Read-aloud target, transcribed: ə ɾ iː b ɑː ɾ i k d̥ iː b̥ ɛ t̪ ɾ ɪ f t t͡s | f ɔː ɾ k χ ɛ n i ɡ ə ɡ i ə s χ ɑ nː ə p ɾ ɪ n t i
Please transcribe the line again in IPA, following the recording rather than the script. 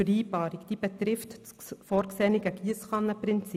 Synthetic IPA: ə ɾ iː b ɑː ɾ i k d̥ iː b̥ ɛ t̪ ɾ ɪ f t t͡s | f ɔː ɾ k s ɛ n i ɡ ə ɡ i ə s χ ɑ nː ə p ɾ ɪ n t͡s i